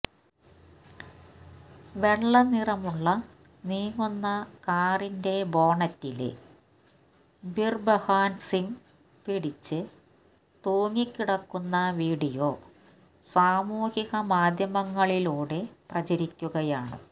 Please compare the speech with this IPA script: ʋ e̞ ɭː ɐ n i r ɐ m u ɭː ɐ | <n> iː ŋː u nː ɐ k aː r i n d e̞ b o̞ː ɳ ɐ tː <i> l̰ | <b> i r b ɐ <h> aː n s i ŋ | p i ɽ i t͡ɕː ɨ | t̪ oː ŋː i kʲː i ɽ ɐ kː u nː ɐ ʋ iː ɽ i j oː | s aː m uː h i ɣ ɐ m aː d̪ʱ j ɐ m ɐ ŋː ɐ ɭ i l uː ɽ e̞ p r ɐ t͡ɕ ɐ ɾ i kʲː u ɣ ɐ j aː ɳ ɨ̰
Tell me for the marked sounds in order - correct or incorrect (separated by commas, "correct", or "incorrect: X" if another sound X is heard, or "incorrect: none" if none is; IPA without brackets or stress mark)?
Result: correct, correct, correct, correct